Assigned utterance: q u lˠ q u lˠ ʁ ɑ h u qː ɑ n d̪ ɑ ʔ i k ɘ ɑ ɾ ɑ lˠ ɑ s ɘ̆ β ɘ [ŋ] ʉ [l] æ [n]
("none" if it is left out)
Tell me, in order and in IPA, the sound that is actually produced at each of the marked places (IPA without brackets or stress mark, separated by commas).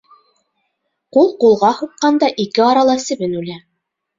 n, l, none